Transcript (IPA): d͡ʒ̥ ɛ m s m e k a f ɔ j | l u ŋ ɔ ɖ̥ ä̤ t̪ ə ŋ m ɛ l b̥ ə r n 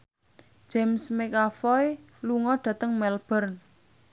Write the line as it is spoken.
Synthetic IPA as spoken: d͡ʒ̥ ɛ m s m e k a f ɔ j | l u ŋ ɔ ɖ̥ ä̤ t̪ ə ŋ m ɛ l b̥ ə r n